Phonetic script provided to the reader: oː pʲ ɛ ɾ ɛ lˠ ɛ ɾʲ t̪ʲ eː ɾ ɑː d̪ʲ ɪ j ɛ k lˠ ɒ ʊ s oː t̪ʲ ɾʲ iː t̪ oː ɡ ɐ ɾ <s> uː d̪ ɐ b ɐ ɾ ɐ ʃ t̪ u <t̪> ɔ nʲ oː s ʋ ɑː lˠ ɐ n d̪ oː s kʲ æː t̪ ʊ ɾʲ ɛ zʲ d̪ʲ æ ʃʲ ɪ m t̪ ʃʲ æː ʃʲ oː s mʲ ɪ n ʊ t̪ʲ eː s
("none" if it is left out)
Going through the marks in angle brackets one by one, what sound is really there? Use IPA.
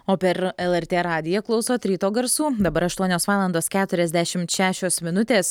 s, none

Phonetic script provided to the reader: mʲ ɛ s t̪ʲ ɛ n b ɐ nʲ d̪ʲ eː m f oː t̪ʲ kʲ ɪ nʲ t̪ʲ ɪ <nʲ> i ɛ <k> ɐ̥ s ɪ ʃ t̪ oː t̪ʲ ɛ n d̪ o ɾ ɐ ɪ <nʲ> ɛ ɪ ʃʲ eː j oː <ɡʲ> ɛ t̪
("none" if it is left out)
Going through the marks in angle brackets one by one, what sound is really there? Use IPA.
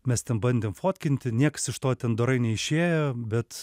nʲ, k, nʲ, bʲ

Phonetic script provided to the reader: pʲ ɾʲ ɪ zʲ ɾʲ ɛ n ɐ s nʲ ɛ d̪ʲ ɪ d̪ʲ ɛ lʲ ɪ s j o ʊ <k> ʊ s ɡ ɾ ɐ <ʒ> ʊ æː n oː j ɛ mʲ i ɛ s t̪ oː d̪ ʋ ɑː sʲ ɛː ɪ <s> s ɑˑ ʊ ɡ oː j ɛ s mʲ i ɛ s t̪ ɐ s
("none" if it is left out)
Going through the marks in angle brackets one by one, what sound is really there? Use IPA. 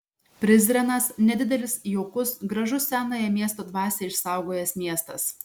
k, ʒ, ʃ

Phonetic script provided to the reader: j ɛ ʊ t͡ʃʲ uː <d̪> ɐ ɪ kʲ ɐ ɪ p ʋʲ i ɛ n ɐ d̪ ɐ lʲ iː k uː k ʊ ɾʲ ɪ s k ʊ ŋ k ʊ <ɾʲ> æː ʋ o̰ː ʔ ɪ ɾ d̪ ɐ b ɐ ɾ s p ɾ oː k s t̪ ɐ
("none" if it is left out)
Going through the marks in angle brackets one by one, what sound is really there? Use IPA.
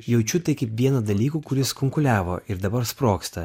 t̪, lʲ

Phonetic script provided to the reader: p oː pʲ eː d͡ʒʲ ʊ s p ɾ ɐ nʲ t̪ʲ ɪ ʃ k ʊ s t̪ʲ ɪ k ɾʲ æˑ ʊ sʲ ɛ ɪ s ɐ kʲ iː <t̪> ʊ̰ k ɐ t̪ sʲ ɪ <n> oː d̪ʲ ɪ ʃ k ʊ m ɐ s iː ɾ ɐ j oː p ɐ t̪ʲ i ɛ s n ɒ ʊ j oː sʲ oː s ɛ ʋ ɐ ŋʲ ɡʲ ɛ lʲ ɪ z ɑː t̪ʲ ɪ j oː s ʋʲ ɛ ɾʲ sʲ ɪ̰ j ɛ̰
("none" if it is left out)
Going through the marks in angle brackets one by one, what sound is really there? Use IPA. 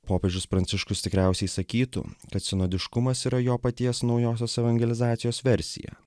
t̪, n

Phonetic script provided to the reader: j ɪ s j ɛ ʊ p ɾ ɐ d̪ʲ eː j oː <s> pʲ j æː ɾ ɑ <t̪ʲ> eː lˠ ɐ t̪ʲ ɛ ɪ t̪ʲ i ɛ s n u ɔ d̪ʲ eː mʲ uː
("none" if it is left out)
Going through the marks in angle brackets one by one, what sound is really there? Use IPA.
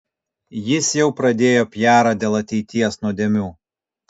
none, d̪ʲ

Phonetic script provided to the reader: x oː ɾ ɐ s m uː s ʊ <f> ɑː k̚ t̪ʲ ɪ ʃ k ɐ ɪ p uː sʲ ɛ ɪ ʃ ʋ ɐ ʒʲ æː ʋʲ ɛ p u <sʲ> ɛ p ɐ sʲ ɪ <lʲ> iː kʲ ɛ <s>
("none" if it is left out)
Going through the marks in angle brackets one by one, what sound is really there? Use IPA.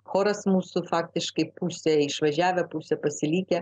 f, sʲ, lʲ, none

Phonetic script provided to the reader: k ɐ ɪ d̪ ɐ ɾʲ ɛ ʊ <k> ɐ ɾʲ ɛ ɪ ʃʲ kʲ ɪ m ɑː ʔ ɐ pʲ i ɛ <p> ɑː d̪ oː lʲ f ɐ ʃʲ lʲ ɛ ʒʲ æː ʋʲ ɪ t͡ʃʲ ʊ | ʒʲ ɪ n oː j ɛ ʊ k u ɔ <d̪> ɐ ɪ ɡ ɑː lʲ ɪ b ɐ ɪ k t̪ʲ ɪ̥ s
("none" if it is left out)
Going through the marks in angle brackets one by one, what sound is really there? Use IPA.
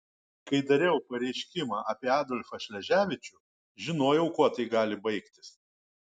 p, none, t̪

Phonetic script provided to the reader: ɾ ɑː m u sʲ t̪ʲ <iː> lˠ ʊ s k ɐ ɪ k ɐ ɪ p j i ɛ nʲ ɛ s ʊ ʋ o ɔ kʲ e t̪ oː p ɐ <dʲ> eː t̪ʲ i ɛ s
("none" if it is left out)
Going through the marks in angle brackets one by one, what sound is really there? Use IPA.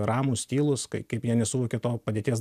iː, dʲ

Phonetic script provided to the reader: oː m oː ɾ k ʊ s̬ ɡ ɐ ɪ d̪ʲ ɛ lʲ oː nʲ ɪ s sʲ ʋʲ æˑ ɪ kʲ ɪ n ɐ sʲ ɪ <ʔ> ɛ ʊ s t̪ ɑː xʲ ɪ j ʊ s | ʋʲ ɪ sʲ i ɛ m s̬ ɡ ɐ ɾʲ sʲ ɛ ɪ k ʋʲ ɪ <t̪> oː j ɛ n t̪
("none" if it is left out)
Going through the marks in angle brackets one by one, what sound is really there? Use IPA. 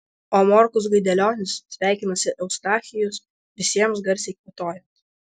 ʔ, t̪

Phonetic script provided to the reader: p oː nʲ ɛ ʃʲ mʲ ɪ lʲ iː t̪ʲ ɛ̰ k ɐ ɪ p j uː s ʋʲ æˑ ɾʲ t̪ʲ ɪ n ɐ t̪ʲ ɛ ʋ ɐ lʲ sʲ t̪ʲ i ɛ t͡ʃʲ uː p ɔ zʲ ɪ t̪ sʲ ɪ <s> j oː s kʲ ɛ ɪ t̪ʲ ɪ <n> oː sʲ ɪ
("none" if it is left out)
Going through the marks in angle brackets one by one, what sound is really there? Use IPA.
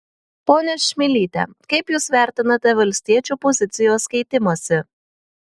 none, m

